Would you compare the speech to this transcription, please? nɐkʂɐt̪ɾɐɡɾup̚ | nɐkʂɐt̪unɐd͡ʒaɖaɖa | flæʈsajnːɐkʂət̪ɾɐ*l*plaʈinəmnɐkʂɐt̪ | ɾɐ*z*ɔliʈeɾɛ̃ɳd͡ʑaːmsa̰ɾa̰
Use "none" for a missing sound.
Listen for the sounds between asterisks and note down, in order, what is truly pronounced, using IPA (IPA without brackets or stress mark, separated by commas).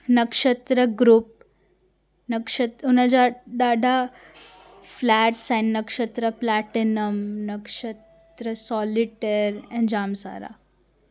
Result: none, s